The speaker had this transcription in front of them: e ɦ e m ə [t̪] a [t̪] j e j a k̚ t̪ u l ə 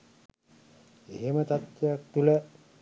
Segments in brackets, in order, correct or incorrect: correct, correct

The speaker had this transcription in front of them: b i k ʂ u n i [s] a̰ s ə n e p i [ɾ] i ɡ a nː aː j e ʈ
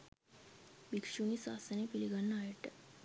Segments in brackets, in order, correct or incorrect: correct, incorrect

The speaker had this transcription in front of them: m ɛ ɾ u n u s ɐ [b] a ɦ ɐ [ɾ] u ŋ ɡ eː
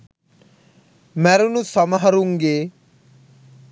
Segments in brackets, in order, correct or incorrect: incorrect, correct

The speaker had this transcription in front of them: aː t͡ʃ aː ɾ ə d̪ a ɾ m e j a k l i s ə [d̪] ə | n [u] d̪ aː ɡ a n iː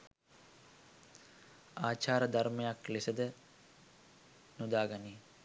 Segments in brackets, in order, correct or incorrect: correct, correct

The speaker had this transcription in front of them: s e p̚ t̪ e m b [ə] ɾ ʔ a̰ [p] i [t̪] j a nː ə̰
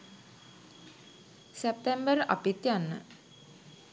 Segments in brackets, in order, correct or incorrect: correct, correct, correct

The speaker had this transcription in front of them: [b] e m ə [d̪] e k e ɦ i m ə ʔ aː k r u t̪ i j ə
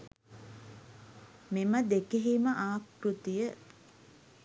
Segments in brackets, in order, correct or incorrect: incorrect, correct

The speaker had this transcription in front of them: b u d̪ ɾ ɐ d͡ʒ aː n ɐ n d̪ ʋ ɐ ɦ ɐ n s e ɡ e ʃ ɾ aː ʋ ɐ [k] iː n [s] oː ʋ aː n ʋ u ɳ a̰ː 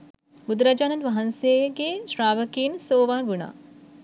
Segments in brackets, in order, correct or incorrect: correct, correct

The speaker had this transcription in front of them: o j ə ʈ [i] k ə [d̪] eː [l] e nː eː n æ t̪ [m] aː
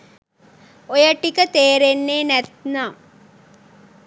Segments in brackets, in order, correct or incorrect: correct, incorrect, incorrect, incorrect

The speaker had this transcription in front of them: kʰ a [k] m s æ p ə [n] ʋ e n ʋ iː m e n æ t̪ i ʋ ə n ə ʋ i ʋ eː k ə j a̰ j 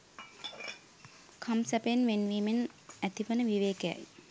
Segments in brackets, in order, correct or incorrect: incorrect, correct

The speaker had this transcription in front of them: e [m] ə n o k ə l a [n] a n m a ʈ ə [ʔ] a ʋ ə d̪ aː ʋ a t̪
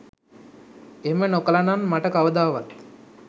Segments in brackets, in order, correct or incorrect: correct, correct, incorrect

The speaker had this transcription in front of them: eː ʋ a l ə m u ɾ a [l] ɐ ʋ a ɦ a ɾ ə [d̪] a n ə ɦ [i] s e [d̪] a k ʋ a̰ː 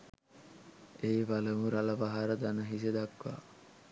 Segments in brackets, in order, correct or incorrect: correct, correct, correct, correct

